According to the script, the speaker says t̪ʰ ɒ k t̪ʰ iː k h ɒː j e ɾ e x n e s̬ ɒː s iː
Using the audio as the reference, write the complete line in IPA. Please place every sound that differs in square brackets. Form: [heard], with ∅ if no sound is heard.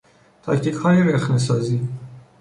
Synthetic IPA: t̪ʰ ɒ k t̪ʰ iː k h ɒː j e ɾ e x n e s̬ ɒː [z] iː